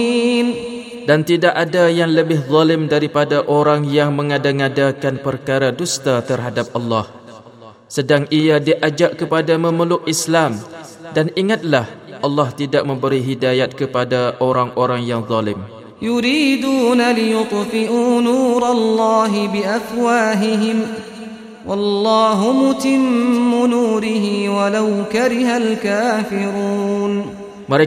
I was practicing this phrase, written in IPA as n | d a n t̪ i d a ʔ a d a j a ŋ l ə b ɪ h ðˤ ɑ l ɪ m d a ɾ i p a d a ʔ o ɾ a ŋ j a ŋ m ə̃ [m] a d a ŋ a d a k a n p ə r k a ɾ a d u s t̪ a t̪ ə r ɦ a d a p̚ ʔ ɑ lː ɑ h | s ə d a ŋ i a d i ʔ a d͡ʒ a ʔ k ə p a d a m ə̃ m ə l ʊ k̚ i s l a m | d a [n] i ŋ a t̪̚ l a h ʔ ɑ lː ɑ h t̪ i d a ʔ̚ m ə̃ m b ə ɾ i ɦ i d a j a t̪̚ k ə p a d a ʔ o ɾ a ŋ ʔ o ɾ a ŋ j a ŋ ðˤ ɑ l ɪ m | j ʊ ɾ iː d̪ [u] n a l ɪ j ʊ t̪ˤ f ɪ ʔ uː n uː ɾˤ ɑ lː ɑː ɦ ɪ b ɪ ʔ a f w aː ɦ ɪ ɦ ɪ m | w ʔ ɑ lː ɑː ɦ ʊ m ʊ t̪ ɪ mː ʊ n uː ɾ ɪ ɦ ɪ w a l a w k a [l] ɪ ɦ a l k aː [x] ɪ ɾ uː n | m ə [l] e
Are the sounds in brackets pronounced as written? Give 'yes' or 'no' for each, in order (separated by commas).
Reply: no, yes, no, no, no, no